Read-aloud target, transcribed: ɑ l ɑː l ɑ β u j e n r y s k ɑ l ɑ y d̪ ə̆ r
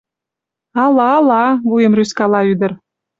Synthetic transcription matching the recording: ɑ l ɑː l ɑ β u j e m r y s k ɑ l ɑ y d̪ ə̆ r

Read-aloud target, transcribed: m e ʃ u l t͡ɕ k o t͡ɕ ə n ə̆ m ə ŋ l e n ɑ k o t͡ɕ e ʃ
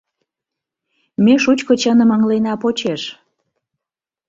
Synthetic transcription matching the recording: m e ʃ u t͡ɕ k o t͡ɕ ə n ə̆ m ə ŋ l e n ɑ p o t͡ɕ e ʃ

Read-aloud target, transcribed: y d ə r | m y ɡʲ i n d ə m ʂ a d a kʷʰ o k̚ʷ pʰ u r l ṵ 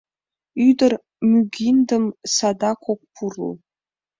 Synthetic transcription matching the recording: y d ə r | m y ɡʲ i n d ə m s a d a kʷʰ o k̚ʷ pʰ u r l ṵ

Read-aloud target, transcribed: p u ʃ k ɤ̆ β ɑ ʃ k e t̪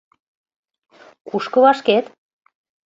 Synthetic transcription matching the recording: k u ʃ k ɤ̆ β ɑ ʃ k e t̪

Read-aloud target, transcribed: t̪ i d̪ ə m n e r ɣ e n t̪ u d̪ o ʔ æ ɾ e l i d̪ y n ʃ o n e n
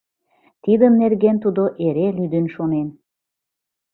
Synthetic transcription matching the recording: t̪ i d̪ ə m n e r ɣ e n t̪ u d̪ o ʔ e ɾ e l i d̪ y n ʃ o n e n

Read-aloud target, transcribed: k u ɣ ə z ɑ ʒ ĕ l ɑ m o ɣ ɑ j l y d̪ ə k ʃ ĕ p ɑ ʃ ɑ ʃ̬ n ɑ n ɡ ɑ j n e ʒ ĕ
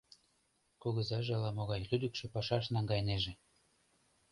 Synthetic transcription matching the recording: k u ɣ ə z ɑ ʒ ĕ l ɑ m o ɣ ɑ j l y d̪ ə k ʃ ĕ p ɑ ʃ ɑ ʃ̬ n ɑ ŋ ɡ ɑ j n e ʒ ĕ

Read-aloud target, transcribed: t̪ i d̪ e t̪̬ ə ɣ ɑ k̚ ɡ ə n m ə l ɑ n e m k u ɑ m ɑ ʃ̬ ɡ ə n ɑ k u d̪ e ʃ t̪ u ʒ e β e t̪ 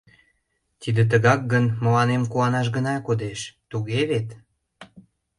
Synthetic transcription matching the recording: t̪ i d̪ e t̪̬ ə ɣ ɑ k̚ ɡ ə n m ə l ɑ n e m k u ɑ n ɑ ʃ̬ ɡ ə n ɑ k o d̪ e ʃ t̪ u ɣ e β e t̪

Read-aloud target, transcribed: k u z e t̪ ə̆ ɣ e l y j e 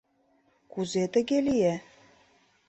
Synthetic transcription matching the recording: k u z e t̪ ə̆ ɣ e l i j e

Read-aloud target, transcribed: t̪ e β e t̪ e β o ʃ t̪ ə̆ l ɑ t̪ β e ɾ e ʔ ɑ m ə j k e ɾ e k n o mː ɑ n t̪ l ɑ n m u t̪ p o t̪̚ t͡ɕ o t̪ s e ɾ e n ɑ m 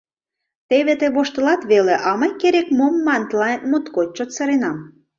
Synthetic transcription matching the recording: t̪ e β e t̪ e β o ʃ t̪ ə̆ l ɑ t̪ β e l e ʔ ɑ m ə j k e ɾ e k m o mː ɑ n t̪ l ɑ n m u t̪ k o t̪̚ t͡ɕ o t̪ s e ɾ e n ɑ m

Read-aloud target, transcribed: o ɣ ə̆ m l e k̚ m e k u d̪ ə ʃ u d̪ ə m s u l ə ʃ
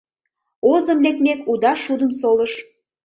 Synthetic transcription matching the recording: o z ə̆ m l e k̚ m e k u d̪ ɑ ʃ u d̪ ə m s o l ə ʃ

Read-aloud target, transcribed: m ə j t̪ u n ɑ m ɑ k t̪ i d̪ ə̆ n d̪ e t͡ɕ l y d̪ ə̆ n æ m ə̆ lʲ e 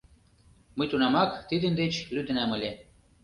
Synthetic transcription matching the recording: m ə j t̪ u n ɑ m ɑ k t̪ i d̪ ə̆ n d̪ e t͡ɕ l y d̪ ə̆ n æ m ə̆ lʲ e

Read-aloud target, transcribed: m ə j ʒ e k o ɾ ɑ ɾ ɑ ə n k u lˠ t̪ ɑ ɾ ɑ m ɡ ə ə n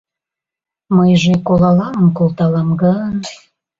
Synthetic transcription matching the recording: m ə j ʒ e k o l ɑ l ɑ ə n k o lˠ t̪ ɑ l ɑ m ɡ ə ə n

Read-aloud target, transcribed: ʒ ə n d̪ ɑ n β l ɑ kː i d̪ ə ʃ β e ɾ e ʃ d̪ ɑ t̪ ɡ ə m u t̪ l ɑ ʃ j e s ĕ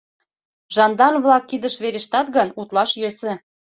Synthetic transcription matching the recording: ʒ ɑ n d̪ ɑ n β l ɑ kː i d̪ ə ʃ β e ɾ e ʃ t̪ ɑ t̪ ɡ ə n u t̪ l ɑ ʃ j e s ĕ

